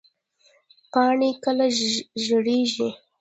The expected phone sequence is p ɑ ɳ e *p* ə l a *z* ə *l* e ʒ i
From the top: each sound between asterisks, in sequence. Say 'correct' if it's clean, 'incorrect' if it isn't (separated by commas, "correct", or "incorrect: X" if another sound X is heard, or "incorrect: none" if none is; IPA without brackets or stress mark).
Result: incorrect: k, incorrect: ʒ, incorrect: ɽ